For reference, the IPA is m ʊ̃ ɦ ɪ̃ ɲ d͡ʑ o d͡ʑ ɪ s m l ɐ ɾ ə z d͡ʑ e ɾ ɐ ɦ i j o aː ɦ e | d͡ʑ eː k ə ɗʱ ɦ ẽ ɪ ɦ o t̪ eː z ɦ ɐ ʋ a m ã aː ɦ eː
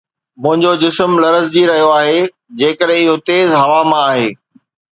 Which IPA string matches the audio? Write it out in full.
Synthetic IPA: m ʊ̃ ɦ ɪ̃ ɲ d͡ʑ o d͡ʑ ɪ s m l ɐ ɾ ə z d͡ʑ i ɾ ɐ ɦ i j o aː ɦ e | d͡ʑ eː k ə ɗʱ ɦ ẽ ɪ ɦ o t̪ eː z ɦ ɐ ʋ a m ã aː ɦ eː

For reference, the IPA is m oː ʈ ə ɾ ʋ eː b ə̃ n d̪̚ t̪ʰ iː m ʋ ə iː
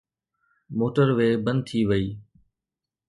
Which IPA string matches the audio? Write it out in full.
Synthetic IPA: m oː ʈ ə ɾ ʋ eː b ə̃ n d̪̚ t̪ʰ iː ʋ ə iː

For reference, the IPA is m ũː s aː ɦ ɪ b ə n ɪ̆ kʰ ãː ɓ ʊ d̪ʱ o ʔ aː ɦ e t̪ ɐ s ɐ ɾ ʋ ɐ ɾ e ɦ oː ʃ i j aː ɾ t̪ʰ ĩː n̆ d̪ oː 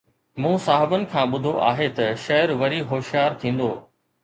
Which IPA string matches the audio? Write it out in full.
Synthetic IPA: m ũː s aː ɦ ɪ b ə n ɪ̆ kʰ ãː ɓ ʊ d̪ʱ o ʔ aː ɦ e t̪ ɐ ʃ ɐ ɾ ʋ ɐ ɾ i ɦ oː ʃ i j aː ɾ t̪ʰ ĩː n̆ d̪ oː

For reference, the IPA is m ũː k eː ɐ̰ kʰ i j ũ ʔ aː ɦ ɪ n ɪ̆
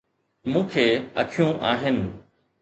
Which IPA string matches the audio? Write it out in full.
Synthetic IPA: m ũː kʰ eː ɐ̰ kʰ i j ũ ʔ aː ɦ ɪ n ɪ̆

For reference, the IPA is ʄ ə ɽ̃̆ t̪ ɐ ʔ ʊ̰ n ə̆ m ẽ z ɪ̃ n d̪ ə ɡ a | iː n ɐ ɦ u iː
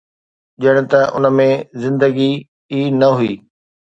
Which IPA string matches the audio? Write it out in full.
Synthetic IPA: ʄ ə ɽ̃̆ t̪ ɐ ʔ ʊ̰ n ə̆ m ẽ z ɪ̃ n d̪ ə ɡ i | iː n ɐ ɦ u iː

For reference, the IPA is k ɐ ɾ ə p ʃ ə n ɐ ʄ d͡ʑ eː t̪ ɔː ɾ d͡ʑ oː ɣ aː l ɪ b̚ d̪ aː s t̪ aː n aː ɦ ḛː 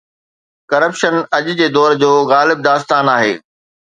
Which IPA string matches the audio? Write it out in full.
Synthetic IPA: k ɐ ɾ ə p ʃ ə n ɐ ʄ d͡ʑ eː d̪ ɔː ɾ d͡ʑ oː ɣ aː l ɪ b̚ d̪ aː s t̪ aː n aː ɦ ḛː

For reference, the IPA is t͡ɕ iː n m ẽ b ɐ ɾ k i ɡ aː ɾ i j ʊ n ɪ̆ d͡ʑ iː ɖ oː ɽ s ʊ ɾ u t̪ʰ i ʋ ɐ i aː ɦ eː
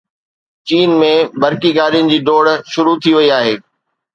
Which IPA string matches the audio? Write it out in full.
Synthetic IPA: t͡ɕ iː n m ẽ b ɐ ɾ k i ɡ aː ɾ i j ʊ n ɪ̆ d͡ʑ iː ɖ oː ɽ ʃ ʊ ɾ u t̪ʰ i ʋ ɐ i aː ɦ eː

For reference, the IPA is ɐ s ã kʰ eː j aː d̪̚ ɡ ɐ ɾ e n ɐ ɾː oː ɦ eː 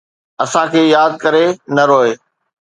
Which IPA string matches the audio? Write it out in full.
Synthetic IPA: ɐ s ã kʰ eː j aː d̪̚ k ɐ ɾ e n ɐ ɾ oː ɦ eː

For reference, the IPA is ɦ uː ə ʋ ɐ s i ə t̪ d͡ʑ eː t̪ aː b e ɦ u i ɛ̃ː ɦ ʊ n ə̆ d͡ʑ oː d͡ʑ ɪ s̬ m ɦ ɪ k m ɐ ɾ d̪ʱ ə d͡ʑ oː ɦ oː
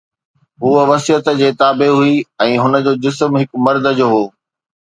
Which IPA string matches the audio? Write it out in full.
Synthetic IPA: ɦ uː ə ʋ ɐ s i ə t̪ d͡ʑ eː t̪ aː b e ɦ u i ɛ̃ː ɦ ʊ n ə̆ d͡ʑ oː d͡ʑ ɪ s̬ m ɦ ɪ k m ɐ ɾ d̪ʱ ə d͡ʑ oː ɦ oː

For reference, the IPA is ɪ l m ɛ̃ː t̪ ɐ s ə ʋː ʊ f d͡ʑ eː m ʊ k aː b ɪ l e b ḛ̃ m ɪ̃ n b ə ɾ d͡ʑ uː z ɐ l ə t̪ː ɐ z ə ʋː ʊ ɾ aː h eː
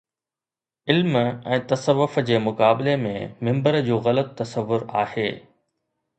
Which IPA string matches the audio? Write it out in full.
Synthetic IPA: ɪ l m ɛ̃ː t̪ ɐ s ə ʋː ʊ f d͡ʑ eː m ʊ k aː b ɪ l e m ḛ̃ m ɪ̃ m b ə ɾ d͡ʑ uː ɣ ɐ l ə t̪ː ɐ s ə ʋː ʊ ɾ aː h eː

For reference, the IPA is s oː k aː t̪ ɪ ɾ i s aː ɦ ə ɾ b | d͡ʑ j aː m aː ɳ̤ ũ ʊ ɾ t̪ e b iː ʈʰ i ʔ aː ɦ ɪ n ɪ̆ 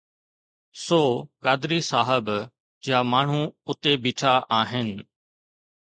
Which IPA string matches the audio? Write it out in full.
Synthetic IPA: s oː k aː d̪ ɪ ɾ i s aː ɦ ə b | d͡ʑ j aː m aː ɳ̤ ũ ʊ t̪ e b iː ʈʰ a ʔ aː ɦ ɪ n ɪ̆

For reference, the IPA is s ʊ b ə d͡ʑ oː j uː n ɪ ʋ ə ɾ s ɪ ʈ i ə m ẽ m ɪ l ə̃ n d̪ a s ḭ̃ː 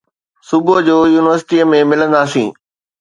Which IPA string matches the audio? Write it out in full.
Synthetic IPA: s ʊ b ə d͡ʑ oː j uː n ɪ ʋ ə ɾ s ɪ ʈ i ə m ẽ m ɪ l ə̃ n d̪ a s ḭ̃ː

